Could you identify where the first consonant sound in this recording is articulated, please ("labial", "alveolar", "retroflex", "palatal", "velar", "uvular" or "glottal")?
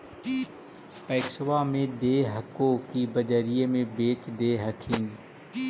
labial